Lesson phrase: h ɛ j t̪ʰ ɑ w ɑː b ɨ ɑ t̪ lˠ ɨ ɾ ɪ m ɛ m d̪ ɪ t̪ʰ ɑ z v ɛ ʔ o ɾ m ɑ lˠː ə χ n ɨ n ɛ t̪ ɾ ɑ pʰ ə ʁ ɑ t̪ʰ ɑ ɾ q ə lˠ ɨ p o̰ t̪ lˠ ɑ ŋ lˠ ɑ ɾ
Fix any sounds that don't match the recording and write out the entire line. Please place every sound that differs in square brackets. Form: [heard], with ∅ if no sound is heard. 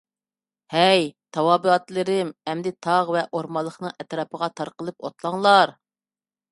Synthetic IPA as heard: h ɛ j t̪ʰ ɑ w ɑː b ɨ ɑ t̪ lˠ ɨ ɾ ɪ m ɛ m d̪ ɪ t̪ʰ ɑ [ʁ] v ɛ ʔ o ɾ m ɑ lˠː ə χ n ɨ [ŋ] ɛ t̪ ɾ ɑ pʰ ə ʁ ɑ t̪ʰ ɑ ɾ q ə lˠ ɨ p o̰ t̪ lˠ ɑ ŋ lˠ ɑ ɾ